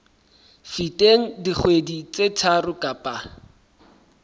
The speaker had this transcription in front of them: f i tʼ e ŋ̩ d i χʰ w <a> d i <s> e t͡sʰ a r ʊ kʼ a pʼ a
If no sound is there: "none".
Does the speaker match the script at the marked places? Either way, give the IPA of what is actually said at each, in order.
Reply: e, t͡s

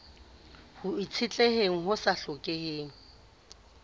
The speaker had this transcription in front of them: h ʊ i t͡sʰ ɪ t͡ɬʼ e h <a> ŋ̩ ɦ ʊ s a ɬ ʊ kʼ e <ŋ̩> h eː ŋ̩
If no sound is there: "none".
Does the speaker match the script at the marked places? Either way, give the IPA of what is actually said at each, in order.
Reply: e, none

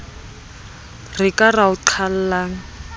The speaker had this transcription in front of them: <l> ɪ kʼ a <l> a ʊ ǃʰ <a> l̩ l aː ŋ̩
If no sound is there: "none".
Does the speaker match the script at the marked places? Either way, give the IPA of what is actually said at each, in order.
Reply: r, r, a

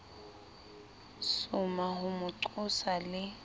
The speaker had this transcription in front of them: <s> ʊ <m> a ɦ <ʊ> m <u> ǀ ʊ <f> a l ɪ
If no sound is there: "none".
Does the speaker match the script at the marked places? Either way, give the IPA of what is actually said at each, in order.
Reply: s, m, ʊ, ʊ, s

